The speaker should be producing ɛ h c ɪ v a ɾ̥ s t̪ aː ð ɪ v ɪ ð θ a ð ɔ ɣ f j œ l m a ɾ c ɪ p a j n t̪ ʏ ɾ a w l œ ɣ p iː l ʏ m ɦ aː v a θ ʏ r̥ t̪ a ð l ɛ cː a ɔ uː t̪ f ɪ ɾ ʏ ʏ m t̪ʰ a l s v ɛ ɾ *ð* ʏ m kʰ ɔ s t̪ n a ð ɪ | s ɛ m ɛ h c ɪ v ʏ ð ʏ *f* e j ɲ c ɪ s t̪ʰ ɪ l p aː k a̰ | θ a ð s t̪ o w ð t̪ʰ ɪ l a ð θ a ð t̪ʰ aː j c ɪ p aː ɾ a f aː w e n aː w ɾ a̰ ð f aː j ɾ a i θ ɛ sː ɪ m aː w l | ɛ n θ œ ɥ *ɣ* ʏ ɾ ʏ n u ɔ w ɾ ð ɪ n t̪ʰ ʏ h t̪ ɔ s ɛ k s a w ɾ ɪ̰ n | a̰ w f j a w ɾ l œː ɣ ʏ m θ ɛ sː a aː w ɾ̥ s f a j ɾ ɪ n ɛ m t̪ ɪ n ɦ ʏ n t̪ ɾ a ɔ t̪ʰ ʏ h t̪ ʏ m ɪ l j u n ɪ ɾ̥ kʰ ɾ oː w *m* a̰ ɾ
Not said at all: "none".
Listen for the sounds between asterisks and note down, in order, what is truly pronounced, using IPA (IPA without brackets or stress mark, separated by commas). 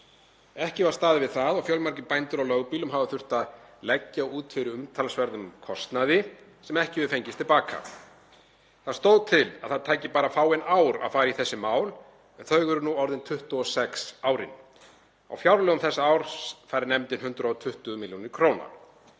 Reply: ð, f, ɣ, n